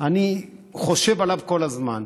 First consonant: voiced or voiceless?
voiced